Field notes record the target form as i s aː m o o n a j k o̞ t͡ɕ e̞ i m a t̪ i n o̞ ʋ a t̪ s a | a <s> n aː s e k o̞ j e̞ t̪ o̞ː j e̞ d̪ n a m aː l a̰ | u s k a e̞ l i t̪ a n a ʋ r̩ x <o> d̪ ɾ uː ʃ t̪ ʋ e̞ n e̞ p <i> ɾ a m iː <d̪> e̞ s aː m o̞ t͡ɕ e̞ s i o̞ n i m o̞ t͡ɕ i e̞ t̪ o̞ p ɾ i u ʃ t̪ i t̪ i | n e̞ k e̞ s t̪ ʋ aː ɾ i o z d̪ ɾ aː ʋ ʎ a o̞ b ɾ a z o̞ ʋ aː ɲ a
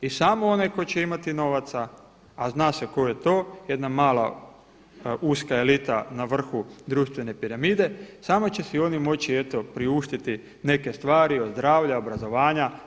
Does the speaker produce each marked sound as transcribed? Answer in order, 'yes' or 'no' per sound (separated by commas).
no, no, yes, yes